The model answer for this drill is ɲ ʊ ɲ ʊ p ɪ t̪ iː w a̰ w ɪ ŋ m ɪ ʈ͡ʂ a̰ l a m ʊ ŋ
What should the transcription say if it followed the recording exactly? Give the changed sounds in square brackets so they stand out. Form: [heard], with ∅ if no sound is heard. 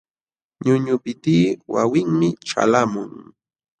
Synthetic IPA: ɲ ʊ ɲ ʊ p ɪ t̪ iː w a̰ w ɪ ŋ m ɪ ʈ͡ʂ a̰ l a m ʊ ŋ